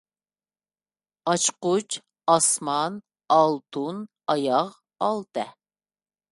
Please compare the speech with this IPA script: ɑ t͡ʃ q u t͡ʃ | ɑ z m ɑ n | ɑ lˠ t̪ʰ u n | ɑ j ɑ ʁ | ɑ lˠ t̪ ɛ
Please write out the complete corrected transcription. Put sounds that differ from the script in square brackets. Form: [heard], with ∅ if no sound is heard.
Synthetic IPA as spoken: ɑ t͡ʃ q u t͡ʃ | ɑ [s] m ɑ n | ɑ lˠ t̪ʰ u n | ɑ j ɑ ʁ | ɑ lˠ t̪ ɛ